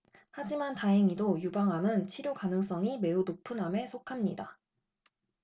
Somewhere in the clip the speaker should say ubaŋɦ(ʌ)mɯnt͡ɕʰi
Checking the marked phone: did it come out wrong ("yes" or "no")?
yes